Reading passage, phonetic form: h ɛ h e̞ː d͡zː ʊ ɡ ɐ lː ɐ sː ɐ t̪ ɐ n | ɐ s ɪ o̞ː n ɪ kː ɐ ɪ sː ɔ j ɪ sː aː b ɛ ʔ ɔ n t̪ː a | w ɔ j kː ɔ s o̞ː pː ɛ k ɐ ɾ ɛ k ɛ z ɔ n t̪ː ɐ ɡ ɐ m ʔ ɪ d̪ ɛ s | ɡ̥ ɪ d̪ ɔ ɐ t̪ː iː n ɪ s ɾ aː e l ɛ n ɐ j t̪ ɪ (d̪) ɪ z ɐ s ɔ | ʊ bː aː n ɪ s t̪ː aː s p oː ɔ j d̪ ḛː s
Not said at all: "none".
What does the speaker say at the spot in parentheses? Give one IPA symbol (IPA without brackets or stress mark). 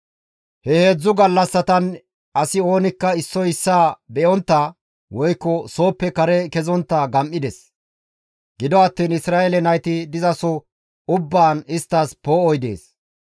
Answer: d̪